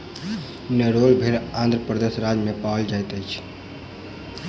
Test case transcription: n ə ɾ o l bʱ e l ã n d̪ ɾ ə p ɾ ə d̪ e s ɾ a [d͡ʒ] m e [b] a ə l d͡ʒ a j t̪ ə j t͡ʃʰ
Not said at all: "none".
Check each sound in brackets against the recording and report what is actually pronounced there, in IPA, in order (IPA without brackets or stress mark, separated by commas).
d͡ʒ, p